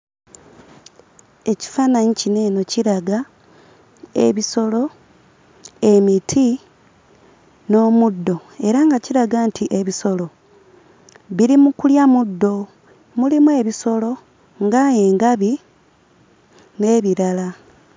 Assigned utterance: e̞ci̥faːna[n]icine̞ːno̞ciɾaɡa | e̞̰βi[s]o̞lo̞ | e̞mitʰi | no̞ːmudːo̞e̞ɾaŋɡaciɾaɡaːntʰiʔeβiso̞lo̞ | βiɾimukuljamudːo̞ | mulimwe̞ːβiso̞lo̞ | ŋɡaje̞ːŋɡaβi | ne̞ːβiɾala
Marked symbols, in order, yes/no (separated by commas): no, yes